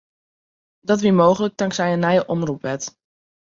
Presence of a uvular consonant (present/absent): present